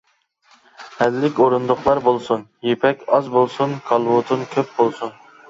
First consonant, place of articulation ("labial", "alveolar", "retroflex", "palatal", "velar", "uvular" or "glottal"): glottal